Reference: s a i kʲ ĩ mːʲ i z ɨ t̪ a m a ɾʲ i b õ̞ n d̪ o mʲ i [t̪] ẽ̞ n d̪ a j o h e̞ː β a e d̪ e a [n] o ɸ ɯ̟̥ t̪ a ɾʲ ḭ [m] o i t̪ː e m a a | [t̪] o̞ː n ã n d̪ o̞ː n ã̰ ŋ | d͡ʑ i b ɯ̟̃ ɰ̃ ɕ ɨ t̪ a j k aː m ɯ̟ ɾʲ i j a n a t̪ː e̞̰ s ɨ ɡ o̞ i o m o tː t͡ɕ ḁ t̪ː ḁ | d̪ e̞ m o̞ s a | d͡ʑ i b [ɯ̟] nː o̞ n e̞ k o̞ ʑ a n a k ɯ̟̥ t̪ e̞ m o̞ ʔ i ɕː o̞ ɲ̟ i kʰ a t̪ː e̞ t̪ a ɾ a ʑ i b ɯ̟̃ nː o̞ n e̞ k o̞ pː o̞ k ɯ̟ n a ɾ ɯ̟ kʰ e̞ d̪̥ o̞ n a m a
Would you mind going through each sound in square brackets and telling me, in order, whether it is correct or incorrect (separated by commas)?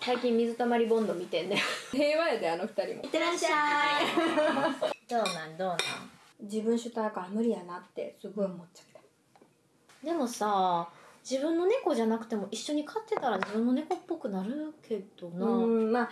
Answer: correct, correct, correct, incorrect, incorrect